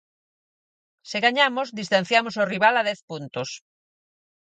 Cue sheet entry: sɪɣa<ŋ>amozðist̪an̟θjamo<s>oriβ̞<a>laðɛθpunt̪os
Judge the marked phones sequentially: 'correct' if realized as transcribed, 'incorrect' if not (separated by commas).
incorrect, correct, correct